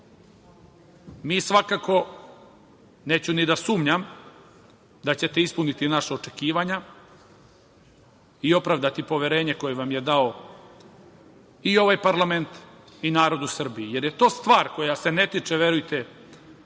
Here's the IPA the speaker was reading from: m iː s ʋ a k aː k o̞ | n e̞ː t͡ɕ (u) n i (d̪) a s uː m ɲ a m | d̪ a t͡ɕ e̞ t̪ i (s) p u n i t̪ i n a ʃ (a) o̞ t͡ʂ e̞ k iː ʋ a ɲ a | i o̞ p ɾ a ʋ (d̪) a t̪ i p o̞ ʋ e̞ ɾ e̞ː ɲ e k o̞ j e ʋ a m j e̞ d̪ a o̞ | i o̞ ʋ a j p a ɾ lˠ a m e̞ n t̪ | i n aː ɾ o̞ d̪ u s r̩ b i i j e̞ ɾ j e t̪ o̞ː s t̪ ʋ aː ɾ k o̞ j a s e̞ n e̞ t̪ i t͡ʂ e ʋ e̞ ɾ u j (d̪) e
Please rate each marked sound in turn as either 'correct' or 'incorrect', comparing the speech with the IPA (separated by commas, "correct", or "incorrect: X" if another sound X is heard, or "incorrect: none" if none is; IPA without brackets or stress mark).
correct, correct, correct, correct, correct, incorrect: t̪